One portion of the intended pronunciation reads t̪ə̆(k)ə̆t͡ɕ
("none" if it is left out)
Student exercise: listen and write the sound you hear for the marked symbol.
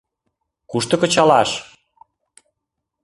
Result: k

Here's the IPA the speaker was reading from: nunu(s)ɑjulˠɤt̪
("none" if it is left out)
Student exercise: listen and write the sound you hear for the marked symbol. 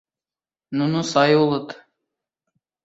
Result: s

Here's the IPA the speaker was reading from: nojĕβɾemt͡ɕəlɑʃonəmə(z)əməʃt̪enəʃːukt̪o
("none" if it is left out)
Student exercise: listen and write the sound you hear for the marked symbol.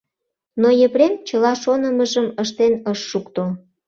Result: ʒ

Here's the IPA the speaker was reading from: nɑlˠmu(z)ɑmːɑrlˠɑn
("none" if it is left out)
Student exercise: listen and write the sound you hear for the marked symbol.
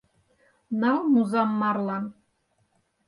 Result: z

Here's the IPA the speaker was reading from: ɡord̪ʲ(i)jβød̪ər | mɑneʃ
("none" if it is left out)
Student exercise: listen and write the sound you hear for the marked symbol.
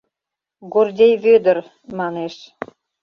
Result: e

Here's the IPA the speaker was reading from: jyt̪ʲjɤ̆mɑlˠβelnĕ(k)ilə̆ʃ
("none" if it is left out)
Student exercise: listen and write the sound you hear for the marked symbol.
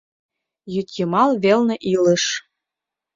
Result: ʔ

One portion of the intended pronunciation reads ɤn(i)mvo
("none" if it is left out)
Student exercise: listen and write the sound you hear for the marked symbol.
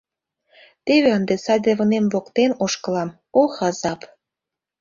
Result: e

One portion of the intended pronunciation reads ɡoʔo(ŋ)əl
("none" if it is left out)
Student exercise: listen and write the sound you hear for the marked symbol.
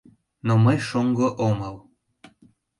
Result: m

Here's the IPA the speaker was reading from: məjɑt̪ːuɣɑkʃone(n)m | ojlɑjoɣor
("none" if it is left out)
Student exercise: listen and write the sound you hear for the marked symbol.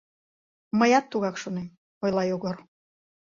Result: none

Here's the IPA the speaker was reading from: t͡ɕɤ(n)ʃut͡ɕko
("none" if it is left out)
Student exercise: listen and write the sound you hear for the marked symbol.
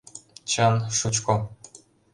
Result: n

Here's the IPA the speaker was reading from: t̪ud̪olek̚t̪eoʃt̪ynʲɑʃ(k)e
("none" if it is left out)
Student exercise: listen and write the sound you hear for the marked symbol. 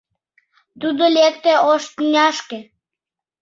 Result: k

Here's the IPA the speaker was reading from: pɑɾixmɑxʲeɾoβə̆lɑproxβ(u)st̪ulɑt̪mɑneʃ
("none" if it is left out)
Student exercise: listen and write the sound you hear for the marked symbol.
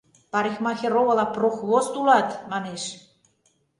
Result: o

